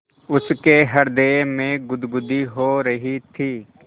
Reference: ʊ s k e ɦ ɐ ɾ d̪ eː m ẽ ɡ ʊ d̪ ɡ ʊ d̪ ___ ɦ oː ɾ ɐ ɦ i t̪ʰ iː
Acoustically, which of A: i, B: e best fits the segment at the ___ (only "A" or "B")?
A